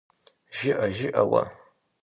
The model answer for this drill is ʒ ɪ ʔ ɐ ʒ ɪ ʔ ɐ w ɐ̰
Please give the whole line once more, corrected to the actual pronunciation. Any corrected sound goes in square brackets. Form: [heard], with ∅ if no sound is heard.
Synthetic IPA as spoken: ʒ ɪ ʔ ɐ ʒ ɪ ʔ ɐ w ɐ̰

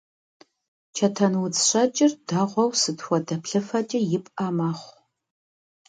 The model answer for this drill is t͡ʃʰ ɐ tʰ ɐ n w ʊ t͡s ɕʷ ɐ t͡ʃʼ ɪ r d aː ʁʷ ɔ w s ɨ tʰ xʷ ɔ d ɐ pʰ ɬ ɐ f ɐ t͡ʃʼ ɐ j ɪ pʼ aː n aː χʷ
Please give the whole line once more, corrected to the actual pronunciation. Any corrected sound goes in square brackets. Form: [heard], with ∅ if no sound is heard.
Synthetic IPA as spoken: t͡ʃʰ ɐ tʰ ɐ n w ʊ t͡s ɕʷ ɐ t͡ʃʼ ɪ r d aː ʁʷ ɔ w s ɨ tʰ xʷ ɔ d ɐ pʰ ɬ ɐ f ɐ t͡ʃʼ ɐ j ɪ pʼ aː [m] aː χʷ

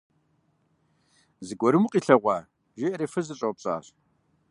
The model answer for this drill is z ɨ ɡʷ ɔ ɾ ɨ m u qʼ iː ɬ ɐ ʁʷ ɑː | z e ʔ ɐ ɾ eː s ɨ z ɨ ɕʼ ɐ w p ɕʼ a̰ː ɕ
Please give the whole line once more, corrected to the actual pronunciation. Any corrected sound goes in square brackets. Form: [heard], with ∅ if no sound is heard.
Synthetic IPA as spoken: z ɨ ɡʷ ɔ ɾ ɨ m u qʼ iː ɬ ɐ ʁʷ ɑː | [ʒ] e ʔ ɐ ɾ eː [f] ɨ z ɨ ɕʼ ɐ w p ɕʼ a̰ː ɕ

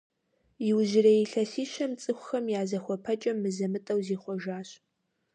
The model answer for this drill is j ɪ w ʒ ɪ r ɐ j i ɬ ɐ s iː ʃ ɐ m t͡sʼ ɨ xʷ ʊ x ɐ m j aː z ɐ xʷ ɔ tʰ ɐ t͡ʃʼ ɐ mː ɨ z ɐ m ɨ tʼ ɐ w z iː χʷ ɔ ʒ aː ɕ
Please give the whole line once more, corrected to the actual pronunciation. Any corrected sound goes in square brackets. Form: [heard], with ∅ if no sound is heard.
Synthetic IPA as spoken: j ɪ w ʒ ɪ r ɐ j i ɬ ɐ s iː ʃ ɐ m t͡sʼ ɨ xʷ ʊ x ɐ m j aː z ɐ xʷ ɔ [pʰ] ɐ t͡ʃʼ ɐ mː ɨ z ɐ m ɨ tʼ ɐ w z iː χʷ ɔ ʒ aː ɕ

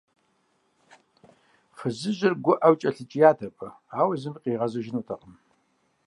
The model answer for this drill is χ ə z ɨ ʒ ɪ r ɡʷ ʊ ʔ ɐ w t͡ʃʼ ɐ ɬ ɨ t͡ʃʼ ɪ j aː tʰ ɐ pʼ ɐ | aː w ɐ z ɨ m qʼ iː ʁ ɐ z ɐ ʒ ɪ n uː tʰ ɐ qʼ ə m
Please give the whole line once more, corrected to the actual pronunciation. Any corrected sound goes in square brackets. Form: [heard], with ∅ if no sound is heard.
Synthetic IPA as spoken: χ ə z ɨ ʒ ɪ r ɡʷ ʊ ʔ ɐ w t͡ʃʼ ɐ ɬ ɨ t͡ʃʼ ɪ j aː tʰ ɐ pʼ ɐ | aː w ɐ z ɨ m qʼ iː ʁ ɐ z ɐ ʒ ɪ n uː tʰ ɐ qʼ ə m

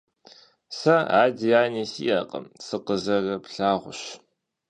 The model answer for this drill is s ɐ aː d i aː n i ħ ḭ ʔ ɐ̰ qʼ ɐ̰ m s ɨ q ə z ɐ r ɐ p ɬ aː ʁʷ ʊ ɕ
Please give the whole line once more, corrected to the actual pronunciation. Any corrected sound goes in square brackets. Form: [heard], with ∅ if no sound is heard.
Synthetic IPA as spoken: s ɐ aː d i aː n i [s] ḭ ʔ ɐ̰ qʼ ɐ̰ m s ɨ q ə z ɐ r ɐ p ɬ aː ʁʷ ʊ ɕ

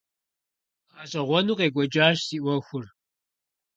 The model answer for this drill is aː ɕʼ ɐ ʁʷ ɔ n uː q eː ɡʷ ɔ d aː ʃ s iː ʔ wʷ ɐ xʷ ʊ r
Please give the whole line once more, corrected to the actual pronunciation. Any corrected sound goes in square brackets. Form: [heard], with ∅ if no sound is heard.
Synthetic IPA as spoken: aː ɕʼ ɐ ʁʷ ɔ n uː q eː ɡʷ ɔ [d͡ʒ] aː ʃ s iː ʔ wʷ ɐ xʷ ʊ r

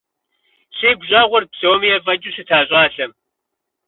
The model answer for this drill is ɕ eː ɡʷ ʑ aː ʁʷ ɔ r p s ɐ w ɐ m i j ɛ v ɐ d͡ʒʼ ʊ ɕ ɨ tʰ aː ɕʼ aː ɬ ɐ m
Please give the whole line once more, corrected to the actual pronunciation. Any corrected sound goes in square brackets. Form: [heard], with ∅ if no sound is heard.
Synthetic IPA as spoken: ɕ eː ɡʷ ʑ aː ʁʷ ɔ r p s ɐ w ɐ m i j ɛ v ɐ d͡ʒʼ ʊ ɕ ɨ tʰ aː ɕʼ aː ɬ ɐ m

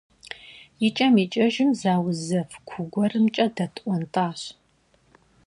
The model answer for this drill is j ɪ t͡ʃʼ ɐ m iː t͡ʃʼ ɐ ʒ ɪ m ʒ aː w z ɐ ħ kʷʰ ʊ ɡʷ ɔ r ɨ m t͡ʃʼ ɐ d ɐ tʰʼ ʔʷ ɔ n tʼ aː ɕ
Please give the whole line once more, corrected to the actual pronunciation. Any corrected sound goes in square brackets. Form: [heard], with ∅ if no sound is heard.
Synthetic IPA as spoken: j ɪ t͡ʃʼ ɐ m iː t͡ʃʼ ɐ ʒ ɪ m [z] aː w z ɐ [f] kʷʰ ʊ ɡʷ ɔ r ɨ m t͡ʃʼ ɐ d ɐ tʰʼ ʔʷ ɔ n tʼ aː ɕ

